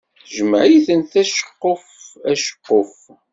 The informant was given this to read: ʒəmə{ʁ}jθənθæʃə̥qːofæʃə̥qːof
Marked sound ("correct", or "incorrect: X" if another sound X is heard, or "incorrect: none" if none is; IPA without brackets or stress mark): incorrect: ʕ